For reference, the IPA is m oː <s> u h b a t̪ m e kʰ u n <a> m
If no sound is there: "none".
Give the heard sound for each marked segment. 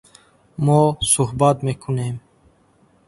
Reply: s, e

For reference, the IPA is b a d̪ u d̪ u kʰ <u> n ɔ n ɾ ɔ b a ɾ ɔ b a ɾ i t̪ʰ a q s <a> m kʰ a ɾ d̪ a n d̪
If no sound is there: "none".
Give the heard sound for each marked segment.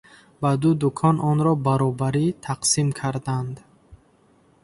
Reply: ɔ, i

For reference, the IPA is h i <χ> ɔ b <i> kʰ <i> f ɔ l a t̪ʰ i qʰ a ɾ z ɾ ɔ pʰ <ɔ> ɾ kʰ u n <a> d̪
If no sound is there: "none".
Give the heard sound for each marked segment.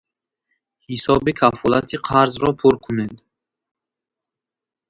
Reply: s, i, a, u, e

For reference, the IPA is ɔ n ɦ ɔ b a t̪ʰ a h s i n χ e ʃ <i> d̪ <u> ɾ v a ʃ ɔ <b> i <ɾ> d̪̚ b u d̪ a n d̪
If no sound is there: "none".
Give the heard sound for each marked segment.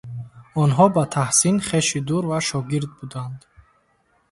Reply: i, u, ɡ, ɾ

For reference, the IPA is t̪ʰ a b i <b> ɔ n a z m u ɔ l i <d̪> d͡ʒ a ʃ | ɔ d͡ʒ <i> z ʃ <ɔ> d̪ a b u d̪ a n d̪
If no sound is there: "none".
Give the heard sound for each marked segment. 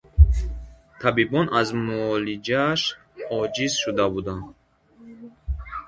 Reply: b, none, i, u

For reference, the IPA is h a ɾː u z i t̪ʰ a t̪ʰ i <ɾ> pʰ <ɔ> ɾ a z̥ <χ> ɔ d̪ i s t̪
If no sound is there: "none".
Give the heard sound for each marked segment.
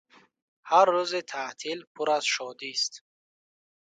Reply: l, u, ʃ

